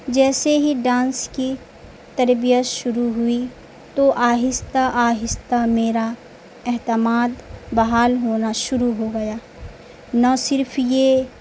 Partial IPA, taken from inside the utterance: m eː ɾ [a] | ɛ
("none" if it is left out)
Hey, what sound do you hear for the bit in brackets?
a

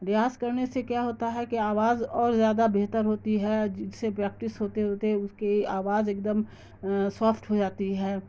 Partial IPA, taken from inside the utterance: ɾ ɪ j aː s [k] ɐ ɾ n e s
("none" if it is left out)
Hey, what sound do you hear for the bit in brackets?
k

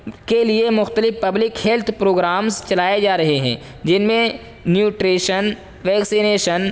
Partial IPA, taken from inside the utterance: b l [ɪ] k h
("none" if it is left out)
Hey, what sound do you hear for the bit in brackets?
ɪ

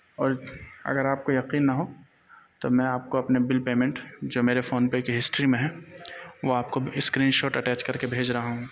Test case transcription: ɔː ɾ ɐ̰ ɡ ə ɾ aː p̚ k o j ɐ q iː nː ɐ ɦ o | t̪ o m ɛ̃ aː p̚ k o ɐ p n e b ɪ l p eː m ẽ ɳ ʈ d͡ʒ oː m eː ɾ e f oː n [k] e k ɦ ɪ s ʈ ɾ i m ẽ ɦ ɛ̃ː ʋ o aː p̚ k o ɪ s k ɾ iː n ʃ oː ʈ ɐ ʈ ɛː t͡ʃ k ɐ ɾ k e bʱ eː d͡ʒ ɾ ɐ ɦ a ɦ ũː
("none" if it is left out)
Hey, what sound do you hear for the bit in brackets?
p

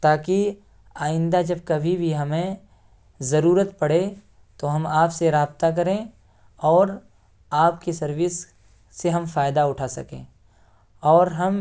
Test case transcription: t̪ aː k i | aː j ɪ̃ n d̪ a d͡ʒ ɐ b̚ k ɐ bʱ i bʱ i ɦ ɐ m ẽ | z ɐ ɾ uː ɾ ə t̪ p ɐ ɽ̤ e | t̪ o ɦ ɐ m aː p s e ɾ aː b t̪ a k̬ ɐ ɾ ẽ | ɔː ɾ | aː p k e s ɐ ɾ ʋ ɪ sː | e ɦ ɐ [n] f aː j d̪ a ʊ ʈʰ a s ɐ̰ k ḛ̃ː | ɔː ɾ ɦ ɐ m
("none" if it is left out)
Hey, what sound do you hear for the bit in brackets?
m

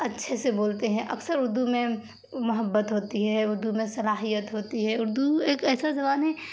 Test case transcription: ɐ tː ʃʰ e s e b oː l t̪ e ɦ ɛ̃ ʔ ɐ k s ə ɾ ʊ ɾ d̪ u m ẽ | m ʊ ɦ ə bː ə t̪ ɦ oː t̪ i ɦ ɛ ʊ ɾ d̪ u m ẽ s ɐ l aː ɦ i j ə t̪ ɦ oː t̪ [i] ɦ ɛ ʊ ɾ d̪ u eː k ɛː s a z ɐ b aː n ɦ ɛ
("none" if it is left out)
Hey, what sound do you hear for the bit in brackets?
i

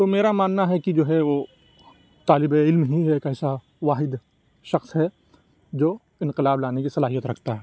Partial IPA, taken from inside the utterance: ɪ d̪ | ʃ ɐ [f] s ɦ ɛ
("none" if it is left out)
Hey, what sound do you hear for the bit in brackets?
x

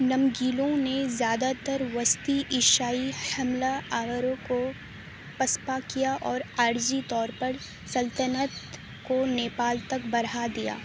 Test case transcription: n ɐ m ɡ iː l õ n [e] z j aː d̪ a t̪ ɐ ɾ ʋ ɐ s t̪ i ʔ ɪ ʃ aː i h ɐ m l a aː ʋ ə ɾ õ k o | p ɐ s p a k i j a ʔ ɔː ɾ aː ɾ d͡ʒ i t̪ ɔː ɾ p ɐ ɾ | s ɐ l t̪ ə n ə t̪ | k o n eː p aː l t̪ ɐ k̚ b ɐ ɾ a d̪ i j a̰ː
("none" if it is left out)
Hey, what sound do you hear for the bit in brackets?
e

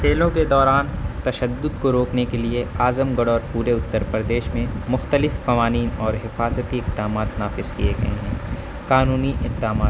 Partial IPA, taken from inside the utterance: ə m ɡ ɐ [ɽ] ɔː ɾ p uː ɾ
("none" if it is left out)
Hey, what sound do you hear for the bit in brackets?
ɽ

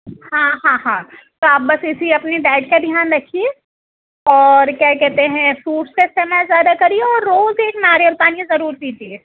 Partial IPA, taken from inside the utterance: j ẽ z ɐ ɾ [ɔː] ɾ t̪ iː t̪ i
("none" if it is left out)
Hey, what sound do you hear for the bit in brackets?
uː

